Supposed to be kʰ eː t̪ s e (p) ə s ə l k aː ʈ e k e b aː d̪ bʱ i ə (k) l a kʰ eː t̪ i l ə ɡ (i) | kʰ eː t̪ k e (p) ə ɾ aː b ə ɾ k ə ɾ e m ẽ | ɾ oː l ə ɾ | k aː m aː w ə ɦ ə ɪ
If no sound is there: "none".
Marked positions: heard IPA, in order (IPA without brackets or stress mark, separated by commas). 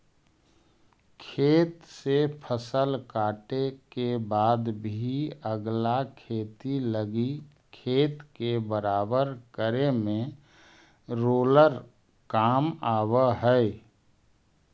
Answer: pʰ, ɡ, i, b